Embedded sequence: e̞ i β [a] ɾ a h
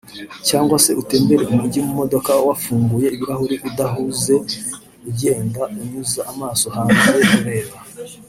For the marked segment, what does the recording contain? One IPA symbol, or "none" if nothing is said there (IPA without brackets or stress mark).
i